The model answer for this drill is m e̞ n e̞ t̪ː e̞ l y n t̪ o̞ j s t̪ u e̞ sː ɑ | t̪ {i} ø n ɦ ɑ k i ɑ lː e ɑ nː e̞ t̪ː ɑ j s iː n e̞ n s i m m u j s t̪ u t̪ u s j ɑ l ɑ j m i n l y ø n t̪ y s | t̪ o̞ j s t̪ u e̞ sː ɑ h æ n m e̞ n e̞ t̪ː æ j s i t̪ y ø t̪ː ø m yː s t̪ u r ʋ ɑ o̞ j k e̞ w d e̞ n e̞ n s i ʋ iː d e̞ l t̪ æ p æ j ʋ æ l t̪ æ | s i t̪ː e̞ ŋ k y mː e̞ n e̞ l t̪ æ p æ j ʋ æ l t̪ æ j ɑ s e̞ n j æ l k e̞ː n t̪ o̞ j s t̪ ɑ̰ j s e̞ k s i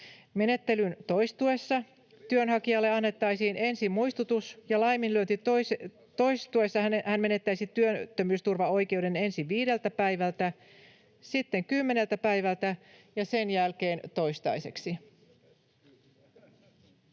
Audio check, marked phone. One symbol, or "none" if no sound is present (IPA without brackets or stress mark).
y